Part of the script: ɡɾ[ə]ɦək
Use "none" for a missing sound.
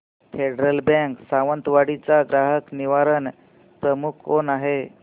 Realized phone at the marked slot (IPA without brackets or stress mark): a